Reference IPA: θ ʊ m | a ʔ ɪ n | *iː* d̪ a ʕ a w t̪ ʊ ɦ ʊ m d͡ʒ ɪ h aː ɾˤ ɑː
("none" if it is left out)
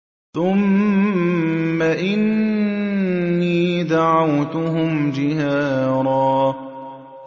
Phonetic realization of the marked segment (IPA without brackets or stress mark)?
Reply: iː